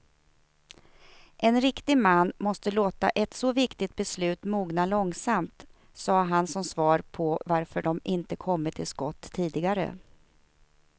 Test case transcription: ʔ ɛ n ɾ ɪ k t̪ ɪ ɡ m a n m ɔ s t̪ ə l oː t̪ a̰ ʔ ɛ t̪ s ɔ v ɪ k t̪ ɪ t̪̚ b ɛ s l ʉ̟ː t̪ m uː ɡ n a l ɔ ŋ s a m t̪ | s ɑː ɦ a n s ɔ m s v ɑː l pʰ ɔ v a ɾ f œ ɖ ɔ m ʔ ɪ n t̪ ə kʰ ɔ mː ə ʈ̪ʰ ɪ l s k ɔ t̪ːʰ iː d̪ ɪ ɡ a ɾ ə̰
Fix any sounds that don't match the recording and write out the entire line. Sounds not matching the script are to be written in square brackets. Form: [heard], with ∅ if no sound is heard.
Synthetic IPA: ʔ ɛ n ɾ ɪ k t̪ ɪ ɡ m a [nː] m ɔ s t̪ ə l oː t̪ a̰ ʔ ɛ t̪ s ɔ v ɪ k t̪ ɪ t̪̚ b ɛ s l ʉ̟ː t̪ m uː ɡ n a l ɔ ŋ s a m t̪ | s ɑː ɦ a n s ɔ m s v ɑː [ɾ] pʰ ɔ v a ɾ f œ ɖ ɔ m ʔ ɪ n t̪ ə kʰ ɔ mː ə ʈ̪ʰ ɪ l s k ɔ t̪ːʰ iː d̪ ɪ ɡ a ɾ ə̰